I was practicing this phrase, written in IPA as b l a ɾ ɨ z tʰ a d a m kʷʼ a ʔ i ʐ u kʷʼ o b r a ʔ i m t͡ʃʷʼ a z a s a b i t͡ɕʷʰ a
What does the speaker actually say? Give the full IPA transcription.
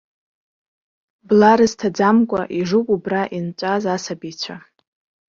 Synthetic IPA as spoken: b l a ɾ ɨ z tʰ a d͡z a m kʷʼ a ʔ i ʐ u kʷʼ u b r a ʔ i n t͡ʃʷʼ a z a s a b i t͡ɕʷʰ a